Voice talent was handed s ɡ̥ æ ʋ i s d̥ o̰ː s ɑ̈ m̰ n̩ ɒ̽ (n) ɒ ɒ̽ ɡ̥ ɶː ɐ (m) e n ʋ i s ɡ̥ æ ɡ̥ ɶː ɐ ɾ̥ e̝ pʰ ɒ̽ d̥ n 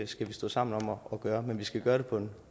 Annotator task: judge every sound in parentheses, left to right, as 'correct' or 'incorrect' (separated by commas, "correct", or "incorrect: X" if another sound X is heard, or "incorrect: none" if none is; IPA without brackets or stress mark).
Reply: incorrect: m, correct